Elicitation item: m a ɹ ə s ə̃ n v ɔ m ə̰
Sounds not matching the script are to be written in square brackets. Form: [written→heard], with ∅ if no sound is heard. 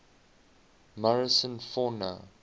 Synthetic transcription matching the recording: m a ɹ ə s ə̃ n [v→f] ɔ [m→n] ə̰